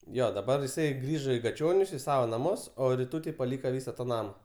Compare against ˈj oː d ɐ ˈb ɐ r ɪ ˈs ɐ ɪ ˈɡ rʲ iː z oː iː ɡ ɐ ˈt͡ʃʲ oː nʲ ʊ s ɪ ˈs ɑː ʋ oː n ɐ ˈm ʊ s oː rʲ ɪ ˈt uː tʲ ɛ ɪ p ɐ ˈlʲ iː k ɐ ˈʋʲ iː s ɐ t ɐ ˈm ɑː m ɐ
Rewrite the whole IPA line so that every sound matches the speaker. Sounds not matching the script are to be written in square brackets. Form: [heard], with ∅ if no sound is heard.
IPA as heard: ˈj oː d ɐ ˈb ɐ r ɪ ˈs ɐ ɪ ˈɡ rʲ iː [ʒ] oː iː ɡ ɐ ˈt͡ʃʲ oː nʲ ʊ s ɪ ˈs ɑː ʋ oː n ɐ ˈm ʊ s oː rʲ ɪ ˈt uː tʲ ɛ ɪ p ɐ ˈlʲ iː k ɐ ˈʋʲ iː s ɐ t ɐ [ˈn] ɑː m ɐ